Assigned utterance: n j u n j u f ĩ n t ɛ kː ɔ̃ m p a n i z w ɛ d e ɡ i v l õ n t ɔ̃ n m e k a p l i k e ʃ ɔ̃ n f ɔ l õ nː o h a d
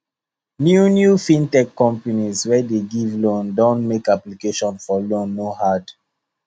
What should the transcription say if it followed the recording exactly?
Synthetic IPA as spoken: n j u n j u f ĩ n t ɛ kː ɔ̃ m p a n i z w ɛ d e ɡ i v l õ n d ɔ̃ n m e k a p l i k e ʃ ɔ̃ n f ɔ l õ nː o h a d